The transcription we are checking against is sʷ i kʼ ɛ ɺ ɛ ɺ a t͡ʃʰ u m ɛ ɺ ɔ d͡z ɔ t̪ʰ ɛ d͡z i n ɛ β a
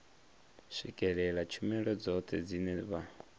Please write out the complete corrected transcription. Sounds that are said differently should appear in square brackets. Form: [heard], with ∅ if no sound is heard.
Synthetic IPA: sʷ i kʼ ɛ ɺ ɛ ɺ a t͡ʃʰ u m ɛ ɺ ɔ d͡z ɔ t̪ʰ ɛ d͡z i n ɛ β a